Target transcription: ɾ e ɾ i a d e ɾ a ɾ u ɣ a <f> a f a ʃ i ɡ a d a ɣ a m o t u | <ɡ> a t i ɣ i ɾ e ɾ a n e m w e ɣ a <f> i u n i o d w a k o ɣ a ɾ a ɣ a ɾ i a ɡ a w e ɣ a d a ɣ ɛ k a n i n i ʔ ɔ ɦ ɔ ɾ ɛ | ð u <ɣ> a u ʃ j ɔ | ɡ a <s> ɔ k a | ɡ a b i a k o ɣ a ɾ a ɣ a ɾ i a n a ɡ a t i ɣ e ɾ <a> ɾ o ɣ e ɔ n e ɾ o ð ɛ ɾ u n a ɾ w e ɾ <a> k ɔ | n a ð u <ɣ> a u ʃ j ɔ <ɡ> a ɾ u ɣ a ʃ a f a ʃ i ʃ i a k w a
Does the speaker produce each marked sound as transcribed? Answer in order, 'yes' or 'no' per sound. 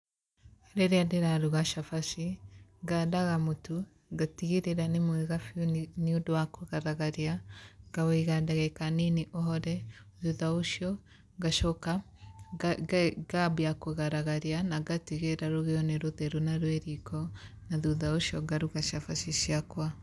no, yes, yes, no, no, yes, no, no, yes

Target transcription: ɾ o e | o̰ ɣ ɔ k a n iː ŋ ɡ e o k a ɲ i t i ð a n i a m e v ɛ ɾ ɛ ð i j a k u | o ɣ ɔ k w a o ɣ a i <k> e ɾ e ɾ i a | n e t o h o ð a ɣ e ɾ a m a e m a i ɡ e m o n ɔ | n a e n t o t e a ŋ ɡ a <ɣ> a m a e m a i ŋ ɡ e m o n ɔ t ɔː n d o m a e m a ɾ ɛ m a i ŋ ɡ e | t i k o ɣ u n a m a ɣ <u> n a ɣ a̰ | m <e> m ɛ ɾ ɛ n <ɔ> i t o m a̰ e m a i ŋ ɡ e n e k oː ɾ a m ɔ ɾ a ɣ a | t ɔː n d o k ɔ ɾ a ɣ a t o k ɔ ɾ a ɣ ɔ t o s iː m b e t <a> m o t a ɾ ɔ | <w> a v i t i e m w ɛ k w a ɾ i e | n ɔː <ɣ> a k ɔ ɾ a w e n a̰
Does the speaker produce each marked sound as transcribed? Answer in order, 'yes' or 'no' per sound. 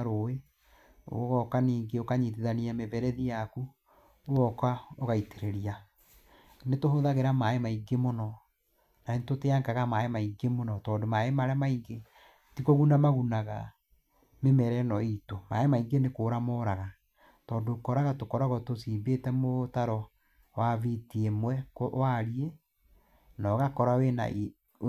no, yes, yes, yes, yes, no, yes, yes

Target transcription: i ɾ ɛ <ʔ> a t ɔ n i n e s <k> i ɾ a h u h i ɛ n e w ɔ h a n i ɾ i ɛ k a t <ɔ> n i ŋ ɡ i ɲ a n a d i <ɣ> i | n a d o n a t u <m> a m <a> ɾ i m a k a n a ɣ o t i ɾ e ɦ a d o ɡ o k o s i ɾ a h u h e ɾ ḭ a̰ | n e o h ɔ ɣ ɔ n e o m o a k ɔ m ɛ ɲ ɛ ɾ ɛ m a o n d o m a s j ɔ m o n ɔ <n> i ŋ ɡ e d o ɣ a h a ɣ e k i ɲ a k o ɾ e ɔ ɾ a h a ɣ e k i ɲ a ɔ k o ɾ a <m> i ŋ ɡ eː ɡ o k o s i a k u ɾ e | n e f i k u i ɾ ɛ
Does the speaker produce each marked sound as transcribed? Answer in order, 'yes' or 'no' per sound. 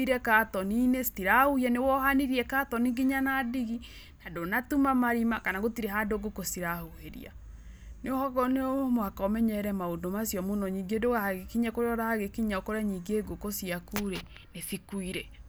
no, no, yes, yes, yes, yes, no, no

